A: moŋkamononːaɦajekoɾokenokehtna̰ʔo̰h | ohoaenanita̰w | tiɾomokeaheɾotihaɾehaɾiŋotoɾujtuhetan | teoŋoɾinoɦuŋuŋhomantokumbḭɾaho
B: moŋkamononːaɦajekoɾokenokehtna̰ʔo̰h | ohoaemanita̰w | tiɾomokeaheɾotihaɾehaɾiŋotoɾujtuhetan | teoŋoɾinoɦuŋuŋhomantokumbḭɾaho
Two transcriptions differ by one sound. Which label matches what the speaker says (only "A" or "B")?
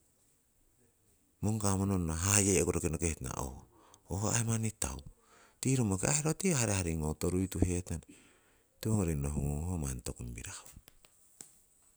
B